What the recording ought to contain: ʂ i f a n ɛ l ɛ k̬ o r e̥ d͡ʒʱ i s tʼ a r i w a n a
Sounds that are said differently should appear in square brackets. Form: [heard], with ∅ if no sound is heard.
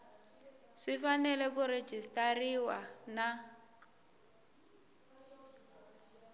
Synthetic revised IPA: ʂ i f a n ɛ l ɛ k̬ [u] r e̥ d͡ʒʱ i s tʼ a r i w a n a